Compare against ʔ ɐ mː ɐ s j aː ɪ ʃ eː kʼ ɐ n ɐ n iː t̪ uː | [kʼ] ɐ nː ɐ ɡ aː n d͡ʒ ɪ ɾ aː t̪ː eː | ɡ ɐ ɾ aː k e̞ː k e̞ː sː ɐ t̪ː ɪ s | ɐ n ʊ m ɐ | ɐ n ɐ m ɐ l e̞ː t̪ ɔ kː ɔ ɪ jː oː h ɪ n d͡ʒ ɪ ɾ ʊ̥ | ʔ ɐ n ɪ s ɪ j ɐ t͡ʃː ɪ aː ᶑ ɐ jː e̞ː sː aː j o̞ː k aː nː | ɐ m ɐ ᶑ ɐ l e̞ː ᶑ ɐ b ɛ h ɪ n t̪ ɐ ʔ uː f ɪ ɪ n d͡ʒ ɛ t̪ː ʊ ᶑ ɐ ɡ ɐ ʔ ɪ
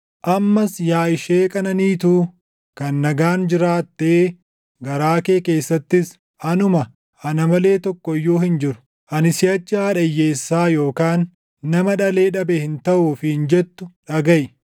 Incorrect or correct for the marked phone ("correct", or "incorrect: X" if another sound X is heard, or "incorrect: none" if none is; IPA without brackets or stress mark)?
incorrect: k